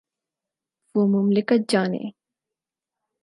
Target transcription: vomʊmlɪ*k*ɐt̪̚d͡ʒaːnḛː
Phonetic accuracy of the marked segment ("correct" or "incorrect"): correct